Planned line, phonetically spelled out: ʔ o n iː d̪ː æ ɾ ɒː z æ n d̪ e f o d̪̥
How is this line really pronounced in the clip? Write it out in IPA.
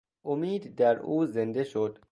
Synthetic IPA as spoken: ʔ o m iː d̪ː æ ɾ uː z e n d̪ e ʃ o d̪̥

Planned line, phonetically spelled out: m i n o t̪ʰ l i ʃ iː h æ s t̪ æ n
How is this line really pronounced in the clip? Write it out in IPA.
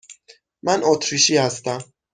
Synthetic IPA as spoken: m æ n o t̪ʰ ɾ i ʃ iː h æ s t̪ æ m

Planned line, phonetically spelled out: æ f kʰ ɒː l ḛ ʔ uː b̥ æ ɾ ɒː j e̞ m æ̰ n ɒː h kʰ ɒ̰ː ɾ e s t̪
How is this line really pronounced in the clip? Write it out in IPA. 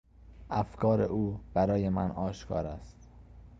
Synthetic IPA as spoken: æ f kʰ ɒː ɾ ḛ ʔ uː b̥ æ ɾ ɒː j e̞ m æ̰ n ɒː ʃ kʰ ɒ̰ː ɾ æ s t̪

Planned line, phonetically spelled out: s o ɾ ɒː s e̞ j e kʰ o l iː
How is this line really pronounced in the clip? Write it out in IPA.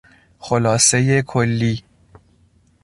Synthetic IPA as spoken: x o l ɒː s e̞ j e kʰ o lː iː

